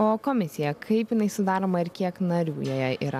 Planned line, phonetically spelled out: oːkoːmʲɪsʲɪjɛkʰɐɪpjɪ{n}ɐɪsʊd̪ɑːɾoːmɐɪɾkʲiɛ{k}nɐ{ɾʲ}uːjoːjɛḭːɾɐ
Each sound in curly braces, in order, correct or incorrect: correct, correct, correct

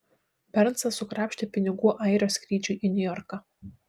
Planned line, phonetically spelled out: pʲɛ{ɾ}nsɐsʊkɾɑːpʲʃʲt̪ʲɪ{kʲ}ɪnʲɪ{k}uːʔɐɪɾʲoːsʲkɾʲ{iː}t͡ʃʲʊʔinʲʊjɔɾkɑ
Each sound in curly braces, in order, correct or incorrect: correct, incorrect: pʲ, incorrect: ɡ, correct

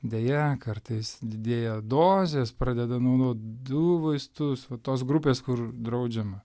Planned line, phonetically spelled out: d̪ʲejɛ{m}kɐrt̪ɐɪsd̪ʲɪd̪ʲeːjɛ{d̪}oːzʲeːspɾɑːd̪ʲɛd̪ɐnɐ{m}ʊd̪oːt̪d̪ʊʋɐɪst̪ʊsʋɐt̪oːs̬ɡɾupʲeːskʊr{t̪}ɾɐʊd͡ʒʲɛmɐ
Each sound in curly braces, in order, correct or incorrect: incorrect: none, correct, incorrect: none, incorrect: d̪

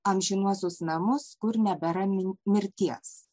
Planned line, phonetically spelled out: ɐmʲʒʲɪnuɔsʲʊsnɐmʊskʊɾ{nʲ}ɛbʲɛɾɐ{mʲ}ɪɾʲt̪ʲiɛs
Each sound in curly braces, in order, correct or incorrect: correct, correct

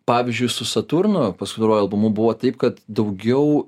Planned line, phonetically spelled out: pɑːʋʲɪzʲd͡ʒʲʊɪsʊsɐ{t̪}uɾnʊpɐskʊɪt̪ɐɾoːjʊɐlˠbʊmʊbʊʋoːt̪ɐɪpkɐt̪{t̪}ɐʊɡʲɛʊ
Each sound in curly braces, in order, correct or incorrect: correct, incorrect: d̪

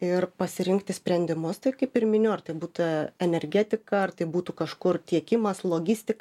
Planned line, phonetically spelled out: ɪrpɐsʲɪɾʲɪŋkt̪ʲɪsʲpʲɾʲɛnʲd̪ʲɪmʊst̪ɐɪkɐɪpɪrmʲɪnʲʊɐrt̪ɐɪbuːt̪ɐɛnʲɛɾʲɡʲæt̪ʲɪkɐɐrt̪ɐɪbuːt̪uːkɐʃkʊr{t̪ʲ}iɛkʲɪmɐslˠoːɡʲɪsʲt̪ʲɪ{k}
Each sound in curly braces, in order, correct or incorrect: correct, correct

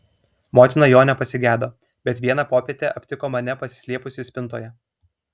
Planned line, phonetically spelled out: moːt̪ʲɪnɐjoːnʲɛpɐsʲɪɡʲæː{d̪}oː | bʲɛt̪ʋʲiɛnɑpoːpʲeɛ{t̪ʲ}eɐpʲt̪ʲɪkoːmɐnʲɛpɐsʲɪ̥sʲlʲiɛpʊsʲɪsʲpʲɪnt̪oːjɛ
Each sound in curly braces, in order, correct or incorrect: correct, correct

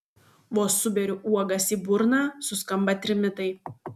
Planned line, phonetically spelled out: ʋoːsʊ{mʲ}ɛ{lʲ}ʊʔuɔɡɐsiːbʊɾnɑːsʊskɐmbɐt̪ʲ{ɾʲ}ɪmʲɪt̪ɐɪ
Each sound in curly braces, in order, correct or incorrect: incorrect: bʲ, incorrect: ɾʲ, correct

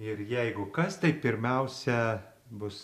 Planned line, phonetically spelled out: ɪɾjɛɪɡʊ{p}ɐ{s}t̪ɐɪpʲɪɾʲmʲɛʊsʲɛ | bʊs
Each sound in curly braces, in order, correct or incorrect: incorrect: k, correct

